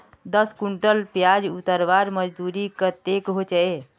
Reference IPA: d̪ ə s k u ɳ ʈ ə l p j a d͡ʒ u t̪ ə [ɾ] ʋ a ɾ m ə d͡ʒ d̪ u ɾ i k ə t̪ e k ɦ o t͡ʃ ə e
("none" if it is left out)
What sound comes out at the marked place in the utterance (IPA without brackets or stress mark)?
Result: ɾ